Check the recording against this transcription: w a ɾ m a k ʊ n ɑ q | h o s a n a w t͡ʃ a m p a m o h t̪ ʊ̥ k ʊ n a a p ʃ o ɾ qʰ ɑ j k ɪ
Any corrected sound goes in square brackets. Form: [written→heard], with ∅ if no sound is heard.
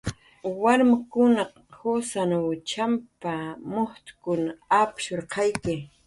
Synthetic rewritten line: w a ɾ m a k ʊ n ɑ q | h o s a n a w t͡ʃ a m p a m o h t̪ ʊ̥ k ʊ n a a p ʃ o ɾ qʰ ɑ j k ɪ